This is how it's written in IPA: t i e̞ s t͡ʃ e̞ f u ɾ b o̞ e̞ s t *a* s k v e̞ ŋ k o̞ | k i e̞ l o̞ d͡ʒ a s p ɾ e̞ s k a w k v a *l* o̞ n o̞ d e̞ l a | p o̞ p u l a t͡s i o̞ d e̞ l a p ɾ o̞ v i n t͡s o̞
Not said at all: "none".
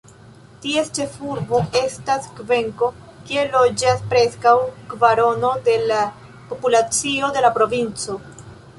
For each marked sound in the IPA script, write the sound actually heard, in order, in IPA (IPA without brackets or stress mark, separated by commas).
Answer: a, ɾ